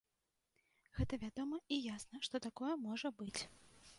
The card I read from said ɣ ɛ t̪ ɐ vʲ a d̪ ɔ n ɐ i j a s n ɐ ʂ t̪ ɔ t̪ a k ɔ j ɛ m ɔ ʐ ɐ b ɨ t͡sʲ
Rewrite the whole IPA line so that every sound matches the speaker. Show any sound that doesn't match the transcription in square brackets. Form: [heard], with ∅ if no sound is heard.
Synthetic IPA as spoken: ɣ ɛ t̪ ɐ vʲ a d̪ ɔ [m] ɐ i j a s n ɐ ʂ t̪ ɔ t̪ a k ɔ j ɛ m ɔ ʐ ɐ b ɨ t͡sʲ